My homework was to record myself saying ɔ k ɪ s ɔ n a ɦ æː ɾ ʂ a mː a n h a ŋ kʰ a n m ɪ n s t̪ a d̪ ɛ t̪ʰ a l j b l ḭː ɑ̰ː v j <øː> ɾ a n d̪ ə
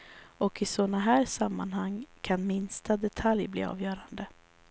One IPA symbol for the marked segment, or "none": œː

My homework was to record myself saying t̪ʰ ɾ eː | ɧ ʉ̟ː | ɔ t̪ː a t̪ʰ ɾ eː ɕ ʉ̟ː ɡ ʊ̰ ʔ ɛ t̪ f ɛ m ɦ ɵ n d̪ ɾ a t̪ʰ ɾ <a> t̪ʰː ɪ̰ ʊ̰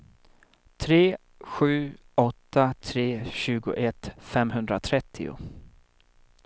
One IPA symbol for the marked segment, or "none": ɛ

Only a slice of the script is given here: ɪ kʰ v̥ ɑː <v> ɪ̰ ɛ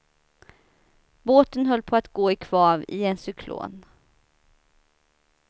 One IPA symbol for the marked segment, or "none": v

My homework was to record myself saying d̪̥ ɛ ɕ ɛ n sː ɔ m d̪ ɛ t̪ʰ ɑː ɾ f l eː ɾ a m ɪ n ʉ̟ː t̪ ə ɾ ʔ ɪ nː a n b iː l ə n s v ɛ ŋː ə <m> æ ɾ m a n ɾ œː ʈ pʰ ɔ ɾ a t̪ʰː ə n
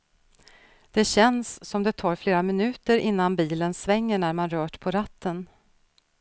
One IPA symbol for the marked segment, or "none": ɳ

